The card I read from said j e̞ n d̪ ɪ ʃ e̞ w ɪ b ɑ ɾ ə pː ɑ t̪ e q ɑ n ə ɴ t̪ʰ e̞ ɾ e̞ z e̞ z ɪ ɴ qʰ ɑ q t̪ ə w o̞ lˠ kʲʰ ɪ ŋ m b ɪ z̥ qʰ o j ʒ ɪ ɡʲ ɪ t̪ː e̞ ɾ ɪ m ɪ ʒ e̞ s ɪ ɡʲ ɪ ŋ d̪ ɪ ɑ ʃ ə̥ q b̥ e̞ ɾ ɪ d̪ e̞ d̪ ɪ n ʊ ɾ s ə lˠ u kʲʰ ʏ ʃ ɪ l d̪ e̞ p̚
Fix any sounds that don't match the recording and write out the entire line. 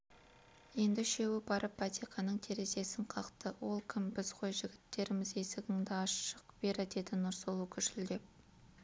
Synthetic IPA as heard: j e̞ n d̪ ɪ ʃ e̞ w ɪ b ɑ ɾ ə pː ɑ t̪ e q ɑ n ə ɴ t̪ʰ e̞ ɾ e̞ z e̞ s ɪ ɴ qʰ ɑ q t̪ ə w o̞ lˠ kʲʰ ɪ m b ɪ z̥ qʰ o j ʒ ɪ ɡʲ ɪ t̪ː e̞ ɾ ɪ m ɪ z e̞ s ɪ ɡʲ ɪ ŋ d̪ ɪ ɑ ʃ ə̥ q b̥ e̞ ɾ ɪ d̪ e̞ d̪ ɪ n ʊ ɾ s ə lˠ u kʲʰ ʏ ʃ ɪ l d̪ e̞ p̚